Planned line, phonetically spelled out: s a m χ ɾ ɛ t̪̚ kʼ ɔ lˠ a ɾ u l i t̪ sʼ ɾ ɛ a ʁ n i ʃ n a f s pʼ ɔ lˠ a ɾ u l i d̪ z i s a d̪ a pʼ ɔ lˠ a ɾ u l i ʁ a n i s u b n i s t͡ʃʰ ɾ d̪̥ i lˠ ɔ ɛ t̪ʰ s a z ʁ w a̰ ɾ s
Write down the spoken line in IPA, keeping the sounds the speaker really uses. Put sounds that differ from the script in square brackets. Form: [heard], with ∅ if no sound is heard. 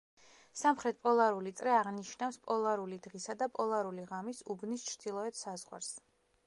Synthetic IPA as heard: s a m χ ɾ ɛ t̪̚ [pʼ] ɔ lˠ a ɾ u l i t̪ sʼ ɾ ɛ a ʁ n i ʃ n a f s pʼ ɔ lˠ a ɾ u l i d̪ [ʁ] i s a d̪ a pʼ ɔ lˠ a ɾ u l i ʁ a [m] i s u b n i s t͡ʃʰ ɾ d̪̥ i lˠ ɔ ɛ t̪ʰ s a z ʁ w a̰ ɾ s